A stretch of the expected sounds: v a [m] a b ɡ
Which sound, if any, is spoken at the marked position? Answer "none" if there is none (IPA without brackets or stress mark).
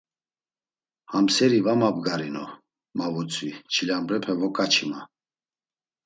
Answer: m